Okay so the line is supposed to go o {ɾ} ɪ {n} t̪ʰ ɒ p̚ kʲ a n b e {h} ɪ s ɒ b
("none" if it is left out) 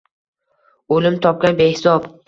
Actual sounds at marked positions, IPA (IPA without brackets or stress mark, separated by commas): l, m, h